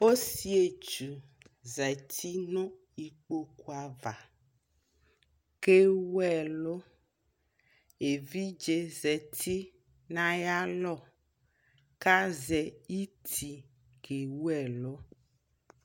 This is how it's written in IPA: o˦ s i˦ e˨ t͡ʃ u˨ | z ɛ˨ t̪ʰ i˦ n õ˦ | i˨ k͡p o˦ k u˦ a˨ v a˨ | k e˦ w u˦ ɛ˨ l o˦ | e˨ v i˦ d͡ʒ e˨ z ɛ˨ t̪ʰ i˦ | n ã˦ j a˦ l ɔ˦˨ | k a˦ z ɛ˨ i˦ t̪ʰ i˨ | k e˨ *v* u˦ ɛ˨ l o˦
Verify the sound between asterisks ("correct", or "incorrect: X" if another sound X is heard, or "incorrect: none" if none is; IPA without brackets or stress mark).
incorrect: w